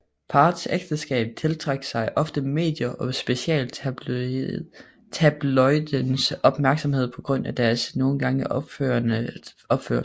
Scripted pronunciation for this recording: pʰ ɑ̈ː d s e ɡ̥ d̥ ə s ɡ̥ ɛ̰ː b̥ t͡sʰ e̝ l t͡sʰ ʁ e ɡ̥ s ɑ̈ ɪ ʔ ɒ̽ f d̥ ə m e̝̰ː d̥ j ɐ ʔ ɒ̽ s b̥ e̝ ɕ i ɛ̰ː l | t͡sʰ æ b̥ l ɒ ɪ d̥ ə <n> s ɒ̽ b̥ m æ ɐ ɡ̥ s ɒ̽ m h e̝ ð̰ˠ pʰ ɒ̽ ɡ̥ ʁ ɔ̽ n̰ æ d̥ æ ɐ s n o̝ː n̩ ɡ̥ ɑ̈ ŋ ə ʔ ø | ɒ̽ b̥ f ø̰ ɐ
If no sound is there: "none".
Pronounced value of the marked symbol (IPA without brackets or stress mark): n